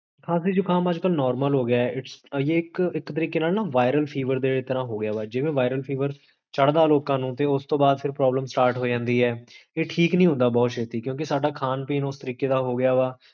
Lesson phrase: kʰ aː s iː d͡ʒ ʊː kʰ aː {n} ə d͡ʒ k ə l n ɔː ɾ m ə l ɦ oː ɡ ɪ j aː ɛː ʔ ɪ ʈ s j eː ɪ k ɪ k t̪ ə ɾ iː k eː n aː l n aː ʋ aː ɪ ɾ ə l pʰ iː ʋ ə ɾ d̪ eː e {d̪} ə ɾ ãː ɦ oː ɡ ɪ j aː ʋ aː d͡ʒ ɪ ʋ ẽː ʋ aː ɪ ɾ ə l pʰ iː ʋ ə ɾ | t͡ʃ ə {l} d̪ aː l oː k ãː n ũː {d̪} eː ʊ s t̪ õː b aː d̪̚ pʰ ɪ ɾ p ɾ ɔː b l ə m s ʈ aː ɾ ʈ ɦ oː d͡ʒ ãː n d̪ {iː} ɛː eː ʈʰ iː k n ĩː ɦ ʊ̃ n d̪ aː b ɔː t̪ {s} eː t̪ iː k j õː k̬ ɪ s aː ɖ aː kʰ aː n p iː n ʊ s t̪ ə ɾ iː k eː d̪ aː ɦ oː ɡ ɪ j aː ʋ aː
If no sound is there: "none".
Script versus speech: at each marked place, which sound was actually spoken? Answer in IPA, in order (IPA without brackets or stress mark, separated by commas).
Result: m, t̪, ɽ, t̪, iː, ʃ